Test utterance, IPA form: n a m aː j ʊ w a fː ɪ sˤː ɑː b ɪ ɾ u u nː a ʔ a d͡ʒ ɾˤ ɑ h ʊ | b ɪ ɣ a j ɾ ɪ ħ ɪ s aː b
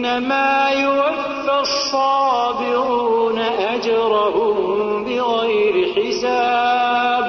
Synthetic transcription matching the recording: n a m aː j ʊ w a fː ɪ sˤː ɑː b ɪ ɾ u u n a ʔ a d͡ʒ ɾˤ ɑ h ʊ | b ɪ ɣ a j ɾ ɪ ħ ɪ s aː b